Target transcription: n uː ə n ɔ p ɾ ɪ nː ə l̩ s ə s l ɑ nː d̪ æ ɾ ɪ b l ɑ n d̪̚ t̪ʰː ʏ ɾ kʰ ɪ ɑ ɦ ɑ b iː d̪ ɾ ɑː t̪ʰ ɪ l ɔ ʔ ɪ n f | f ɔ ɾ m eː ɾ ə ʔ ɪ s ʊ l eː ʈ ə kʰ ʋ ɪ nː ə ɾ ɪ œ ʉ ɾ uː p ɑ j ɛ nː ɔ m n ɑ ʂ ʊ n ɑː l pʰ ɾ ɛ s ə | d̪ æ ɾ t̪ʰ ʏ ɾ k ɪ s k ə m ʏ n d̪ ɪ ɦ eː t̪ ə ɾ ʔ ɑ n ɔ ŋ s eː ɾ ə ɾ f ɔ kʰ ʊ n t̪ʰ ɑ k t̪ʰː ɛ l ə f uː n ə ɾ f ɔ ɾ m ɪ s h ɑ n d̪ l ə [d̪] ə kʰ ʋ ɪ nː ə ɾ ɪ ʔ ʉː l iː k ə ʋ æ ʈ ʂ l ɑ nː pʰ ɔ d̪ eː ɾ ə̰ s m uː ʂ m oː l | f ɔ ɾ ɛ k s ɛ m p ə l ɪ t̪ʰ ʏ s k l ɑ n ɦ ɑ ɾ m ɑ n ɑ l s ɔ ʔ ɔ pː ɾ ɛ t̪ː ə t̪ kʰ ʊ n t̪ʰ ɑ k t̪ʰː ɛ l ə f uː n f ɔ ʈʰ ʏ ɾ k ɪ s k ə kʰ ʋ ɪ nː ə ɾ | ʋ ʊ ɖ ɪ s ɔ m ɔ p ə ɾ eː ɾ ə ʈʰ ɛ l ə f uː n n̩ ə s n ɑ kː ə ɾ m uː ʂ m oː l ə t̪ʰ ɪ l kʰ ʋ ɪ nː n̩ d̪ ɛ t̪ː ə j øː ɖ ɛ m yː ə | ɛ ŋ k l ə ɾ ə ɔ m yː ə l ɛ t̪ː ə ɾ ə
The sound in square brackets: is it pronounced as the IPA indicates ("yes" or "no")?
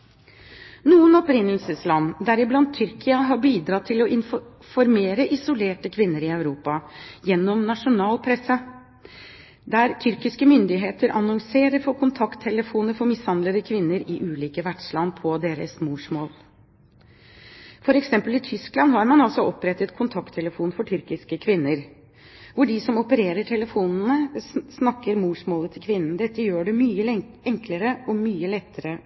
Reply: yes